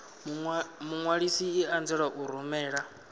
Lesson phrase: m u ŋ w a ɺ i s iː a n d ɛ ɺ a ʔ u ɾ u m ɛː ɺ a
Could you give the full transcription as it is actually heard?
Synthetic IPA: m u ŋ w a ɺ i s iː a n d͡z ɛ ɺ a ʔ u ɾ u m ɛː ɺ a